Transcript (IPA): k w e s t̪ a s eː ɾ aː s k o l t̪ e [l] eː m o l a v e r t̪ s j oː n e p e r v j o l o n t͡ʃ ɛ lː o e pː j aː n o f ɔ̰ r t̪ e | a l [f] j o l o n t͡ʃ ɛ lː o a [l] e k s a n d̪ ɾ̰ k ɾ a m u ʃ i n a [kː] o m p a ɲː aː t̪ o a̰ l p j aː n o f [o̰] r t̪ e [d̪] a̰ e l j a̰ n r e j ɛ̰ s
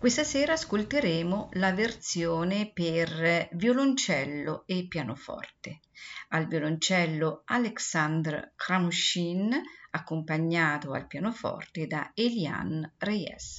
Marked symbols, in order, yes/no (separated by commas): no, no, yes, yes, no, yes